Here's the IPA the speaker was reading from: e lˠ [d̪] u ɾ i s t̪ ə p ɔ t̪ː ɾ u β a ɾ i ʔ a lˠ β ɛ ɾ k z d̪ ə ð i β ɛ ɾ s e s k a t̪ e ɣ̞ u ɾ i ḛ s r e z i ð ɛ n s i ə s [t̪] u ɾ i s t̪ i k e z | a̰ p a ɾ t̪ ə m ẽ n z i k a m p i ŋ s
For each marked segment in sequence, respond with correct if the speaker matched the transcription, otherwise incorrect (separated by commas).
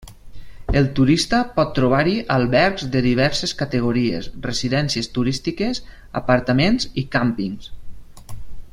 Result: incorrect, correct